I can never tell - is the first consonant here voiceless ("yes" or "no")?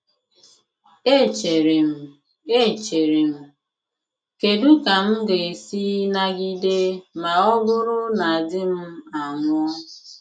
yes